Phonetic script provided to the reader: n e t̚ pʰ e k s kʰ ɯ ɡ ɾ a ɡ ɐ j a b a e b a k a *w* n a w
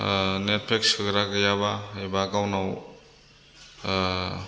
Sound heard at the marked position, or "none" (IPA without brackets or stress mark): w